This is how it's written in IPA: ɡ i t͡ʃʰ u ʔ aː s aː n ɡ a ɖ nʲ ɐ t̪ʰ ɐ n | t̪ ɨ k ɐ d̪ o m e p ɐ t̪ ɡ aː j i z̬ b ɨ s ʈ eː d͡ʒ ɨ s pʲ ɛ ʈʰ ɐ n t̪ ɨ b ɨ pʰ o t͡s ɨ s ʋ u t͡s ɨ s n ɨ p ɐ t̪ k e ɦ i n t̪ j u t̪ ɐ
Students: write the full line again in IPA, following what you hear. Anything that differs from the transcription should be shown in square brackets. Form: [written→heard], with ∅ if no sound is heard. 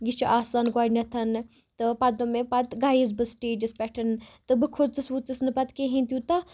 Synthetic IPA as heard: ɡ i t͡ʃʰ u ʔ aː s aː n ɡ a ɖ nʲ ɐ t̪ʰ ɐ n | t̪ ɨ [k→p] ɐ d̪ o m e p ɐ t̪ ɡ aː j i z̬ b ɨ s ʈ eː d͡ʒ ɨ s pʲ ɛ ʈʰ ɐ n t̪ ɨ b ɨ [pʰ→kʰ] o t͡s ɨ s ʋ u t͡s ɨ s n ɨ p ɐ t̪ k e ɦ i n t̪ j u t̪ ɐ

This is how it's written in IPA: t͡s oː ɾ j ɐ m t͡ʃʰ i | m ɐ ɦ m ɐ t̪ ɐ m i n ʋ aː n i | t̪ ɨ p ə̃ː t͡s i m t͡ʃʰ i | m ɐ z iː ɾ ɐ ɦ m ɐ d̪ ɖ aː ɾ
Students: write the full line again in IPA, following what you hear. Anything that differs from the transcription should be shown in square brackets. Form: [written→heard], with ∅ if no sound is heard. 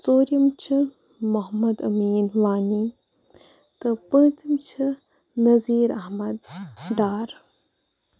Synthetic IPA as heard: t͡s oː ɾ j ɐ m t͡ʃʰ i | m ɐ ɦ m ɐ [t̪→d̪] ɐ m [i→iː] n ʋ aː n i | t̪ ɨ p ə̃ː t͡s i m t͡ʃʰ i | [m→n] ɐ z iː ɾ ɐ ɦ m ɐ d̪ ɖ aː ɾ

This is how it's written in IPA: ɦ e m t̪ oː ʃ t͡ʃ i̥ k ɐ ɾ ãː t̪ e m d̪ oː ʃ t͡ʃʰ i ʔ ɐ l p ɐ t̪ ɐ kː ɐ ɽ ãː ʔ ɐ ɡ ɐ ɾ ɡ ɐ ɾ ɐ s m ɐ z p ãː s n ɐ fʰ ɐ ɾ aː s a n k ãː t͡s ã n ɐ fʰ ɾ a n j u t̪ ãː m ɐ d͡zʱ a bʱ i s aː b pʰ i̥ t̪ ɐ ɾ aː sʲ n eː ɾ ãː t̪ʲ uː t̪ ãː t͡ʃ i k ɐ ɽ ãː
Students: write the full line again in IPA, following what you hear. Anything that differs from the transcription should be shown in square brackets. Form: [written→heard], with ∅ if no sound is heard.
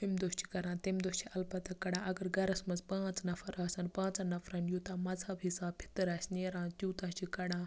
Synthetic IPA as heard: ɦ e m [t̪→d̪] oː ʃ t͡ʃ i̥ k ɐ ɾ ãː t̪ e m d̪ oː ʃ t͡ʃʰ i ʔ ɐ l p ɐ t̪ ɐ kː ɐ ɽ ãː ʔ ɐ ɡ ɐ ɾ ɡ ɐ ɾ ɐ s m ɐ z p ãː [s→t͡s] n ɐ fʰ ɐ ɾ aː s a n [k→p] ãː t͡s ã n ɐ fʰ ɾ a n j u t̪ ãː m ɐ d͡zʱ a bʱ i s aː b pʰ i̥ t̪ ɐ ɾ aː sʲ n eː ɾ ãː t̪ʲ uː t̪ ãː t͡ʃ i k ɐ ɽ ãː

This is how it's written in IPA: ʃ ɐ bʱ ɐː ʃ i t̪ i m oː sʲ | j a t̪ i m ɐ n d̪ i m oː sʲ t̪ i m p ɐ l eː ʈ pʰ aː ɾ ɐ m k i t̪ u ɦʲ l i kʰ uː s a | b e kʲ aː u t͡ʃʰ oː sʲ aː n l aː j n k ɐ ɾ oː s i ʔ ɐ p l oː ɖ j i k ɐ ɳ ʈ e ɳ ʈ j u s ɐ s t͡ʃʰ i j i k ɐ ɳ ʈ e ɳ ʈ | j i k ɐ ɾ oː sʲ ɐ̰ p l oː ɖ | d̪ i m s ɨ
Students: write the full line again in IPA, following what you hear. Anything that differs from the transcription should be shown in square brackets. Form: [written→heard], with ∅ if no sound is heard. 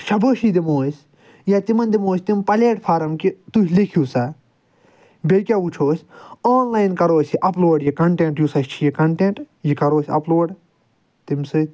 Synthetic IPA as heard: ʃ ɐ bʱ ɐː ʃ i [t̪→d̪] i m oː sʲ | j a t̪ i m ɐ n d̪ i m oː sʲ t̪ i m p ɐ l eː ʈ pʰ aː ɾ ɐ m k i t̪ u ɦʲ l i kʰ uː s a | b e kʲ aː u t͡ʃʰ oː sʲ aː n l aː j n k ɐ ɾ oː s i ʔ ɐ p l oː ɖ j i k ɐ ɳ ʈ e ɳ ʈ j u s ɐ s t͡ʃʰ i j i k ɐ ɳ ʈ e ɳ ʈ | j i k ɐ ɾ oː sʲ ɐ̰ p l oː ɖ | [d̪→t̪] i m s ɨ

